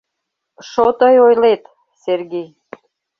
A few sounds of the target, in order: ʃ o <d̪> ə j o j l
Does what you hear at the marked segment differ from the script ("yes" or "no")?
yes